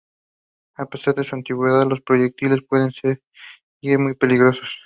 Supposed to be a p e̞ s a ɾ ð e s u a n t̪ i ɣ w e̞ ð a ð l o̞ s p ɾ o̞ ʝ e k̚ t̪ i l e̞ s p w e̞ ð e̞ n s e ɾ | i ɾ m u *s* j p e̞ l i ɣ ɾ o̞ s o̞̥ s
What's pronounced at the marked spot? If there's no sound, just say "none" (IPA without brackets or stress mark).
none